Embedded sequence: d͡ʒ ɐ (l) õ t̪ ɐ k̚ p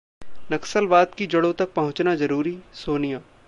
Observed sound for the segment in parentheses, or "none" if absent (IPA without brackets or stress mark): ɽ